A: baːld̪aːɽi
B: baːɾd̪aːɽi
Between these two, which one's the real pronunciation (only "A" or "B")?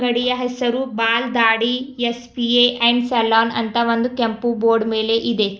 A